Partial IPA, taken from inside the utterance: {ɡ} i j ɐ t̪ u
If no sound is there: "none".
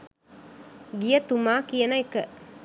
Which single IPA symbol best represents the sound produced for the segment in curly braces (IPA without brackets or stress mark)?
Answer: ɡ